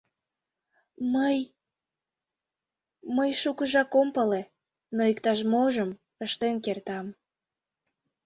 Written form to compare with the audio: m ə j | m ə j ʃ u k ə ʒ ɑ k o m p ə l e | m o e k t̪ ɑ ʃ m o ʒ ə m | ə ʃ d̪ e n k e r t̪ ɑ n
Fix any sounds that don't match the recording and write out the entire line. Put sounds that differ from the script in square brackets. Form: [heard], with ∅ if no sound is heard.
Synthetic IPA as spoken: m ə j | m ə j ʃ u k ə ʒ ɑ k o m p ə l e | [n] o [i] k t̪ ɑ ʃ m o ʒ ə m | ə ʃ [t̪] e n k e r t̪ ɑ [m]